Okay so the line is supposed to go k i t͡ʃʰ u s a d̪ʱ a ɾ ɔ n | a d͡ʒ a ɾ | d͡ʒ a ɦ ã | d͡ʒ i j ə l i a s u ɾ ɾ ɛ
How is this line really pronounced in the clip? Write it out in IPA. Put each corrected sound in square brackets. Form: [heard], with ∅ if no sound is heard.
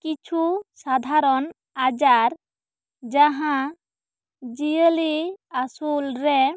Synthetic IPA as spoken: k i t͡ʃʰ u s a d̪ʱ a ɾ ɔ n | a d͡ʒ a ɾ | d͡ʒ a ɦ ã | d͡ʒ i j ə l i a s u [l] ɾ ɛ